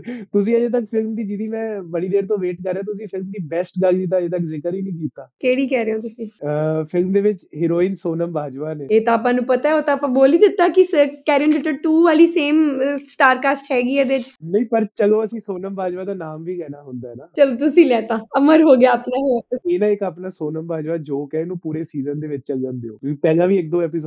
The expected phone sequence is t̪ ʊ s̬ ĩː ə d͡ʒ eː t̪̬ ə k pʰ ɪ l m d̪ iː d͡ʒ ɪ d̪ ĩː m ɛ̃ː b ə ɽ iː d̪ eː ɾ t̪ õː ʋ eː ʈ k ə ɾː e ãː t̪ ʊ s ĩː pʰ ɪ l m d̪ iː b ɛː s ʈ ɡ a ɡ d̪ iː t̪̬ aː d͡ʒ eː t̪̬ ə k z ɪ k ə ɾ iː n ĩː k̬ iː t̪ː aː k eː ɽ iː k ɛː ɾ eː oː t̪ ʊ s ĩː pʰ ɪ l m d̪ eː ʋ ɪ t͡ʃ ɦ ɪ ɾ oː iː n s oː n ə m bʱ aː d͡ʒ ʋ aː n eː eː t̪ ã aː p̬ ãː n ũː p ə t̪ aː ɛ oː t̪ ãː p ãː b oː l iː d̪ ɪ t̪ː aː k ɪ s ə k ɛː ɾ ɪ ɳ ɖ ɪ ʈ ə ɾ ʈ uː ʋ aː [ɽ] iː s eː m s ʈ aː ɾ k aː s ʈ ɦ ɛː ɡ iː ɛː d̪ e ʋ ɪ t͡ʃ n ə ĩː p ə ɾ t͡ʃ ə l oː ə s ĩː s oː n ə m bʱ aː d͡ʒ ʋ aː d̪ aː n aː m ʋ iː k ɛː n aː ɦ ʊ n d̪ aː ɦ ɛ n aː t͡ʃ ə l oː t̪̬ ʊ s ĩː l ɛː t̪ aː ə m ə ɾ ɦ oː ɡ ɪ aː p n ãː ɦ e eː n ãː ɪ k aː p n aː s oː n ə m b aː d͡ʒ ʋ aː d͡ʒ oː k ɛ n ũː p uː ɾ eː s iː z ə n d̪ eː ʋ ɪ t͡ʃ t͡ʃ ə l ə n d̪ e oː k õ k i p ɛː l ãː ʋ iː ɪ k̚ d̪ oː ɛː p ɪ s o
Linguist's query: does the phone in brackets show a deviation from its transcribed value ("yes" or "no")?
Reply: yes